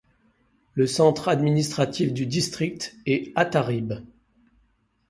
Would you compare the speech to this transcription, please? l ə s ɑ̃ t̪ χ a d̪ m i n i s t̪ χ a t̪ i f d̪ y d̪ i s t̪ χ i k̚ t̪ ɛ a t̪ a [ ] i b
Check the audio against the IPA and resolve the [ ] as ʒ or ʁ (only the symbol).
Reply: ʁ